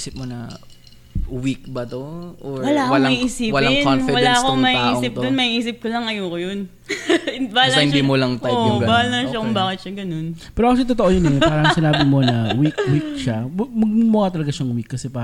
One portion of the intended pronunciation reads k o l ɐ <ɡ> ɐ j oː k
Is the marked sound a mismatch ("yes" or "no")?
yes